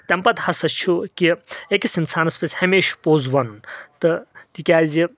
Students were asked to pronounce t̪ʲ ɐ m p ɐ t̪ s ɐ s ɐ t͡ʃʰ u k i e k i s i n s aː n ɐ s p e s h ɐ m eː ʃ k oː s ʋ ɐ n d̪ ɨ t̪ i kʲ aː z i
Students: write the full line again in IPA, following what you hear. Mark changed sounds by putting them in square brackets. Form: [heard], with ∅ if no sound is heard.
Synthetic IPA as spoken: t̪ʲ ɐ m p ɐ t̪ [h] ɐ s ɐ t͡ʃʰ u k i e k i s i n s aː n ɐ s p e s h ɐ m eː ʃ [p] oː [z] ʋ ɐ n [t̪] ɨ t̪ i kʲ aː z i